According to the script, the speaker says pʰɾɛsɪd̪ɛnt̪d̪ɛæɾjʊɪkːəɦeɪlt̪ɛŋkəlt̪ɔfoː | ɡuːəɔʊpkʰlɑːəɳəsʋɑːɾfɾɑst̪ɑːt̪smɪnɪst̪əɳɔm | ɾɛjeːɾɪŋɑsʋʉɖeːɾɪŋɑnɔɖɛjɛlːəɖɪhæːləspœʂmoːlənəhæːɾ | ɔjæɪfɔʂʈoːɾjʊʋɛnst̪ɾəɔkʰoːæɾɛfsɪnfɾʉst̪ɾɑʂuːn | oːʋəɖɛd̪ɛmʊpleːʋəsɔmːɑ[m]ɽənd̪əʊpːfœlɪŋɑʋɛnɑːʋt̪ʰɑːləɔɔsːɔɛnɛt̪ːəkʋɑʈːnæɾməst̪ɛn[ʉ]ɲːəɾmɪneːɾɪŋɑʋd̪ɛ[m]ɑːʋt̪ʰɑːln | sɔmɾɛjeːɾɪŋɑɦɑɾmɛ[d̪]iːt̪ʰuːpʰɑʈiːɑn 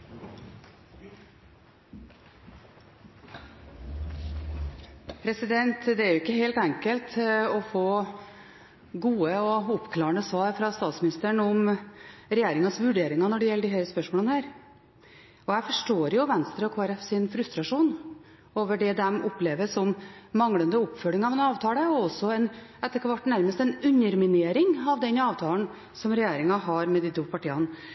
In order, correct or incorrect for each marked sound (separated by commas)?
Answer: incorrect, correct, incorrect, correct